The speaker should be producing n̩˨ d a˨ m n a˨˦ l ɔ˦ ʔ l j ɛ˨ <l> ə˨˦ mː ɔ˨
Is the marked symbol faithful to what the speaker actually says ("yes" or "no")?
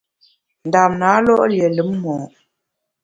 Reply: yes